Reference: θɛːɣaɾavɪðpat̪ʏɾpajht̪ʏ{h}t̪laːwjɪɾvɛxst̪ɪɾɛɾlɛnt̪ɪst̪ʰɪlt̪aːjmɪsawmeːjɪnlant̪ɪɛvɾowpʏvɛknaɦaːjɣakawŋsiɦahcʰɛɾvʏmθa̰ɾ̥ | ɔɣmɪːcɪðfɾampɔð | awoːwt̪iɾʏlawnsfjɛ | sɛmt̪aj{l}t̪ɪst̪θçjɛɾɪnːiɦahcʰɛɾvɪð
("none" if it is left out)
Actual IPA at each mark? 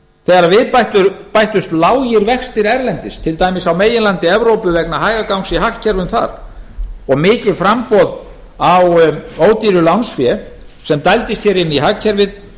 s, l

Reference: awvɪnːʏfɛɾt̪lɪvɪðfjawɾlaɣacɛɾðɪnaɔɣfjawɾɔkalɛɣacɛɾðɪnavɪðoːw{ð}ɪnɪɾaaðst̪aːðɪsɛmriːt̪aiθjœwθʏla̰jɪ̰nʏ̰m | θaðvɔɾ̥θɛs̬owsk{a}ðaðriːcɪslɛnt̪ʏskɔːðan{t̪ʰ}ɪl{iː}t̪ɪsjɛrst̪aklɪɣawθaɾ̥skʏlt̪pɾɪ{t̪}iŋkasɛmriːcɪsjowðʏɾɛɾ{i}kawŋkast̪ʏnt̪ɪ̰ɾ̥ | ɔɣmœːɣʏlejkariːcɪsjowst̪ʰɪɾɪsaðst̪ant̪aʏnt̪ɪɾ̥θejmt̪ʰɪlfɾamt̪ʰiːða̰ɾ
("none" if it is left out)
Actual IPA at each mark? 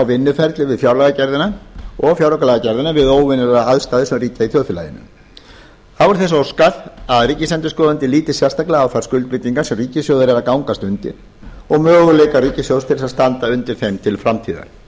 v, a, t̪, iː, t̪, a

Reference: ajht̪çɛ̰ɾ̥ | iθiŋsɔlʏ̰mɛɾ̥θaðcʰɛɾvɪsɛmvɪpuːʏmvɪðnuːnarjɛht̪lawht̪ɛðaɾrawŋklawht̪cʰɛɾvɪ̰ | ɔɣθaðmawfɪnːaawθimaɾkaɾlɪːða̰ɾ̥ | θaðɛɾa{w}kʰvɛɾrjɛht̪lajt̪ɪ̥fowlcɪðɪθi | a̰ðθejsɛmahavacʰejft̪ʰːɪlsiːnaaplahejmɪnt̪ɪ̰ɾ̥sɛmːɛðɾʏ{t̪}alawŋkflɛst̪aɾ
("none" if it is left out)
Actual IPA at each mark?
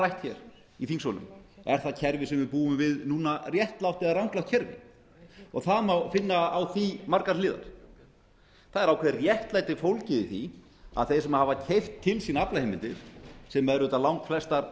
w, t̪

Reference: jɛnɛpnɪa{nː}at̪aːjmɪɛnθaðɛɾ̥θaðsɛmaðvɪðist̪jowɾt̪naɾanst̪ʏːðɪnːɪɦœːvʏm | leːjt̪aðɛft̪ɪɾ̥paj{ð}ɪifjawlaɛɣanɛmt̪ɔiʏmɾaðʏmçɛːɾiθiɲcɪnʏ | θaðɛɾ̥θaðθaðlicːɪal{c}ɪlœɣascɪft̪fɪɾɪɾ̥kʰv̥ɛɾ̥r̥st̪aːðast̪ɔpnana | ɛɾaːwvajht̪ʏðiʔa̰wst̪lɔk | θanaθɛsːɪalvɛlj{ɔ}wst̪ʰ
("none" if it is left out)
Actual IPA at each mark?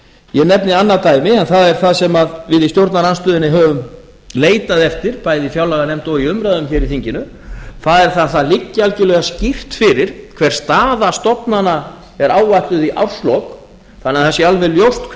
nː, ð, c, o

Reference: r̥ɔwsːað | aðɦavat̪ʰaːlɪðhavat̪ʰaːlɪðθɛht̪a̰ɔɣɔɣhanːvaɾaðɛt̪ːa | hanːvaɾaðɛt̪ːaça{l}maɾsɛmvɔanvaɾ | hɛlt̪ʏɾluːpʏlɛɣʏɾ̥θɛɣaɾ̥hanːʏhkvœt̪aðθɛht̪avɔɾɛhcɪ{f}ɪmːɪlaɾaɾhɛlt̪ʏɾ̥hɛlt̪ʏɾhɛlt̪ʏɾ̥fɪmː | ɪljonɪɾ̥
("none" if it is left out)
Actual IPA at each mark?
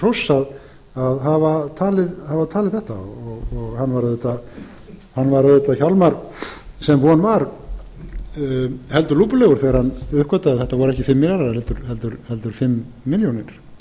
l, f

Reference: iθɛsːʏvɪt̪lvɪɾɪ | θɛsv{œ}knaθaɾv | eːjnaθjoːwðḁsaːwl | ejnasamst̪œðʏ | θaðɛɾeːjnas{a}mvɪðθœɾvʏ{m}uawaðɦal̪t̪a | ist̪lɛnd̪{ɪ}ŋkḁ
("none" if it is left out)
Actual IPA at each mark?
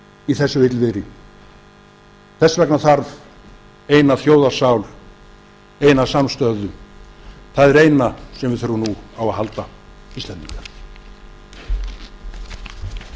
ɛ, ɛ, n, i

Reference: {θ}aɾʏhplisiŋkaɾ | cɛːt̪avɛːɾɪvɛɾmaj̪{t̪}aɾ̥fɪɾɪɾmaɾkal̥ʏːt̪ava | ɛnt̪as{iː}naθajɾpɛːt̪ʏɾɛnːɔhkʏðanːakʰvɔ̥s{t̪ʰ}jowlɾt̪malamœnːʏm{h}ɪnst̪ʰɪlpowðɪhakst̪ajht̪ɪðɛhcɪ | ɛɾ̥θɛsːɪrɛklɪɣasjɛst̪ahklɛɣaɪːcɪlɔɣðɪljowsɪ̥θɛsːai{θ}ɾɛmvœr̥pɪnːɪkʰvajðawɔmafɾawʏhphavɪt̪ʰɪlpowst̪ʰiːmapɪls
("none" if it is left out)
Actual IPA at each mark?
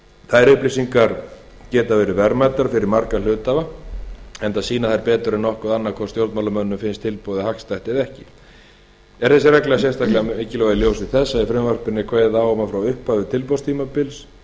θ, t̪, iː, t̪, f, f

